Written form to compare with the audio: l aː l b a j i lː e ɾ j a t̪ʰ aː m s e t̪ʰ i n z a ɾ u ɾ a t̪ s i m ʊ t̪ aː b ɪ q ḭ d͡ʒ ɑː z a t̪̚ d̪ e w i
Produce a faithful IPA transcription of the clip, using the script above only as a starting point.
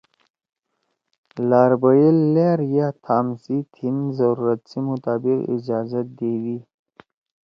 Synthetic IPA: l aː ɾ b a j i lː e ɾ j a t̪ʰ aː m s i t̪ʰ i n z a ɾ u ɾ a t̪ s i m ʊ t̪ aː b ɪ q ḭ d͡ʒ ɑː z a t̪̚ d̪ e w i